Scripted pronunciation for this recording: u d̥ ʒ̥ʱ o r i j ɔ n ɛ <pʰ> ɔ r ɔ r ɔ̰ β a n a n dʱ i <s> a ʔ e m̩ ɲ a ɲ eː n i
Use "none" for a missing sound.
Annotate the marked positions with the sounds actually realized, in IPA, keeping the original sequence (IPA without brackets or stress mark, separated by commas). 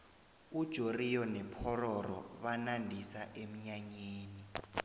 pʰ, s